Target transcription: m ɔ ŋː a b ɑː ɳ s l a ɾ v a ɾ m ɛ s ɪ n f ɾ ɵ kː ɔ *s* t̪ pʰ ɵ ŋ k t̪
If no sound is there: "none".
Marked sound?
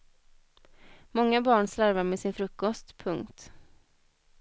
s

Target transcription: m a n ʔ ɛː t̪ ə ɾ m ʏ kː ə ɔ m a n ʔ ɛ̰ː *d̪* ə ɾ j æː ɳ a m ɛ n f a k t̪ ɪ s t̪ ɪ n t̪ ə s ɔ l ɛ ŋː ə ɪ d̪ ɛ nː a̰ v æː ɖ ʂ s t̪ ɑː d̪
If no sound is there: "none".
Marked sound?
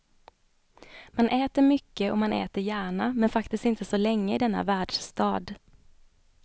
t̪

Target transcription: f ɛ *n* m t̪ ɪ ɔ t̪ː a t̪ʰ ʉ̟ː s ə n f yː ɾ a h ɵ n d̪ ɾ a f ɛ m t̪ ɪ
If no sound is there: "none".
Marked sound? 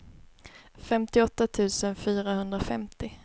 none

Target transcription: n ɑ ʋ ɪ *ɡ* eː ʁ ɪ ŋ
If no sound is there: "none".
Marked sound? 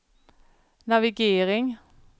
ɡ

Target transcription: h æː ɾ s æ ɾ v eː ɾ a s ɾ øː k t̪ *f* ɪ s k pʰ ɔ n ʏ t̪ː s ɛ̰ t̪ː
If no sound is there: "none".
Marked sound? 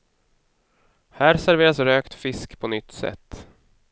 f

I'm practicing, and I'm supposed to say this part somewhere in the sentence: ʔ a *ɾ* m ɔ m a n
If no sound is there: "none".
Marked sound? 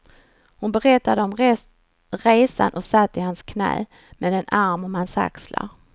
ɾ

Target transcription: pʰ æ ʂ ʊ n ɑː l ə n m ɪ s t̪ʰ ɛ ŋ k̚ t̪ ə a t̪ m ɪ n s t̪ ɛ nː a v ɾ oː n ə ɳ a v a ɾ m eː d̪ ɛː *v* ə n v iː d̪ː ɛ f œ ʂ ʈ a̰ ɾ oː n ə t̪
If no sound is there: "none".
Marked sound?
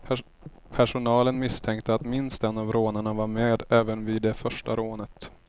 v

